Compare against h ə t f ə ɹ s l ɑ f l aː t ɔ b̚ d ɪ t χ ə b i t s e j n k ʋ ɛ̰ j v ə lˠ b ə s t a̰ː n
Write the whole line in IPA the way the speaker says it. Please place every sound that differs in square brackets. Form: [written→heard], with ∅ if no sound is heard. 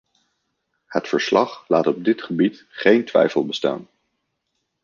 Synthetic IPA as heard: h ə t f ə ɹ s l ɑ [f→χ] l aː t ɔ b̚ d ɪ t χ ə b i t [s→χ] e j n [k→t] ʋ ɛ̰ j [v→f] ə lˠ b ə s t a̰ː n